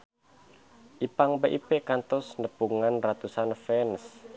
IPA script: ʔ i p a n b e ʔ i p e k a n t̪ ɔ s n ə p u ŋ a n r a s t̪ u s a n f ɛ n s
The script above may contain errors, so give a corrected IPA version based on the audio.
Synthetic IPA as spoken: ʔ i p a ŋ b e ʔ i p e k a n t̪ ɔ s n ə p u ŋ a n r a t̪ u s a n f ɛ n s